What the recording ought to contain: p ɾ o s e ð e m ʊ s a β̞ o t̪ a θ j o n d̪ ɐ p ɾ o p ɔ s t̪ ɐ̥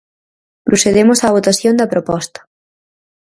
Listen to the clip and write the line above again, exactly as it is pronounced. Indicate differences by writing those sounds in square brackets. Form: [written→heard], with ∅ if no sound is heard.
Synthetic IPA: p ɾ o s e ð e m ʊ s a β̞ o t̪ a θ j o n d̪ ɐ p ɾ o p ɔ s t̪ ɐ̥